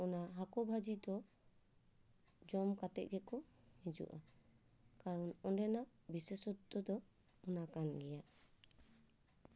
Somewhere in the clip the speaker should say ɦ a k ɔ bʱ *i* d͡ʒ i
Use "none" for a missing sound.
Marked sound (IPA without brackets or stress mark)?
a